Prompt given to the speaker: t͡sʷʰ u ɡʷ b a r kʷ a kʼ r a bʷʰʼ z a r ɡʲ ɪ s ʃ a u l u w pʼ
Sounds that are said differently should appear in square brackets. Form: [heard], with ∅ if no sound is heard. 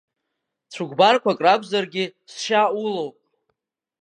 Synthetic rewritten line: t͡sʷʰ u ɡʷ b a r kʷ a kʼ r a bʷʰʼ z a r ɡʲ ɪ s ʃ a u l [o] w pʼ